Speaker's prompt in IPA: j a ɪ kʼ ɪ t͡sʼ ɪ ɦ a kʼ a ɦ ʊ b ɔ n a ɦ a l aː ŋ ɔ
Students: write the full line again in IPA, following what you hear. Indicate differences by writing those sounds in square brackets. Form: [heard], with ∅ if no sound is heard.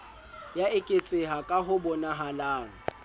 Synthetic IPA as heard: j a ɪ kʼ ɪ t͡sʼ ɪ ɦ a kʼ a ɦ ʊ b ɔ n a ɦ a l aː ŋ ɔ